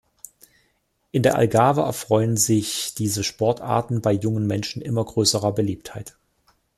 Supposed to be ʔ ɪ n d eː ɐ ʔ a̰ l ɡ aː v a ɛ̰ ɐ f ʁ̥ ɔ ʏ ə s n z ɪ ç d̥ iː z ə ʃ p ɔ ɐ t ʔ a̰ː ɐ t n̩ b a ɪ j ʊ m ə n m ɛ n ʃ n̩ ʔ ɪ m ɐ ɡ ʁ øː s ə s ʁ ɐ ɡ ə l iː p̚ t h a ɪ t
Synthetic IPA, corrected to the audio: ʔ ɪ n d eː ɐ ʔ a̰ l ɡ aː v ə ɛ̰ ɐ f ʁ̥ ɔ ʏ ə n z ɪ ç d̥ iː z ə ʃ p ɔ ɐ t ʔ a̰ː ɐ t n̩ b a ɪ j ʊ ŋ ə n m ɛ n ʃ n̩ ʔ ɪ m ɐ ɡ ʁ øː s ə ʁ ɐ b ə l iː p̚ t h a ɪ t